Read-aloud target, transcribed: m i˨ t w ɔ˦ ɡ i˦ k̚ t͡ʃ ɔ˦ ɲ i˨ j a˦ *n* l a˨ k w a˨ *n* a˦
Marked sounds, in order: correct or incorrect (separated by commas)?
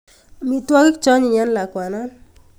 correct, correct